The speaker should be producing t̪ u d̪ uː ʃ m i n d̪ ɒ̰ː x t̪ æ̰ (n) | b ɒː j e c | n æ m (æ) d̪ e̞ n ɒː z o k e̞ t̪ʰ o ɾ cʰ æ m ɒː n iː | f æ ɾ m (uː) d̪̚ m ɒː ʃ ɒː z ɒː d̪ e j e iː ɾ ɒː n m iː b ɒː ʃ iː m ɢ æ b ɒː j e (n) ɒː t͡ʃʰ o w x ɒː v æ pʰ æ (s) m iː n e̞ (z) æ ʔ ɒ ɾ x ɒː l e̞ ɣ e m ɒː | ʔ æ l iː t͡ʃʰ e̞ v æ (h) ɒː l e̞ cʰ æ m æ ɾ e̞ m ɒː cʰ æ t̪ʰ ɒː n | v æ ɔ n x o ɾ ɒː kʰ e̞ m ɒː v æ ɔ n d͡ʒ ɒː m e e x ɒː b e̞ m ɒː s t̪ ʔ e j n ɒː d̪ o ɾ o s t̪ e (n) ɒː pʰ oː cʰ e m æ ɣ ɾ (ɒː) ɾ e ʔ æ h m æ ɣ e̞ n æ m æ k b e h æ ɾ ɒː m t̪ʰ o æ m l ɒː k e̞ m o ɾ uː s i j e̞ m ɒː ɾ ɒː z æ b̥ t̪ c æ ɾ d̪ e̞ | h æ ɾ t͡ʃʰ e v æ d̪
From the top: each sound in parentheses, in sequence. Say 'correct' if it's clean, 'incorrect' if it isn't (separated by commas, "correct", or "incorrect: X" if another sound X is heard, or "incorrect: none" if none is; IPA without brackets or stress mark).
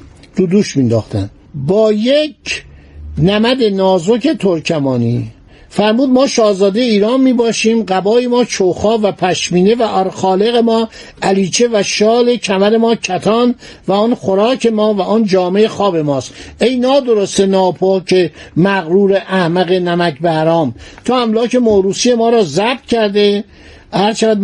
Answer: correct, correct, correct, incorrect: m, incorrect: ʃ, incorrect: v, incorrect: ʃ, correct, incorrect: uː